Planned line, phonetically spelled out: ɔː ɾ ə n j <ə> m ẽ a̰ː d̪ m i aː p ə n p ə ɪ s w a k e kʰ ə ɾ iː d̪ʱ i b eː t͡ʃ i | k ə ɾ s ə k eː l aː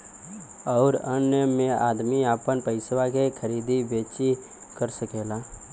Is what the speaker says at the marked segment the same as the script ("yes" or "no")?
yes